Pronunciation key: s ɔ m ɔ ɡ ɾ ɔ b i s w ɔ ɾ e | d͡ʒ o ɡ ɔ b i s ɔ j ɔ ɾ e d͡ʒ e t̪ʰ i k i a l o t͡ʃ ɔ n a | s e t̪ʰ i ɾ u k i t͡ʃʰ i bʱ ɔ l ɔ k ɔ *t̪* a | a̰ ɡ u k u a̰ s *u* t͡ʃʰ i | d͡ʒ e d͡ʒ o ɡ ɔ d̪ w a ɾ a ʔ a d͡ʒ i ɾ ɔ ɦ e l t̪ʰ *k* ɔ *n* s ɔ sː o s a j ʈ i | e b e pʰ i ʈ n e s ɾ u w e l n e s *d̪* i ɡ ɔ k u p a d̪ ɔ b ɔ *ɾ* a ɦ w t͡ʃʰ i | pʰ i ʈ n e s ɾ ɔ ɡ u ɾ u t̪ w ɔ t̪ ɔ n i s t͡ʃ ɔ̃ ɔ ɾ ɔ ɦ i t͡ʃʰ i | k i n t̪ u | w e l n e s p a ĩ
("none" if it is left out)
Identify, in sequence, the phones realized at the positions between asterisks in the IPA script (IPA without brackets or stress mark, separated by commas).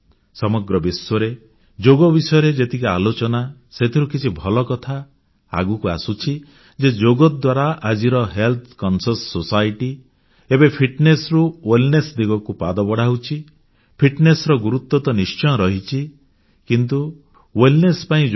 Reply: t̪ʰ, u, k, n, d̪, ɽ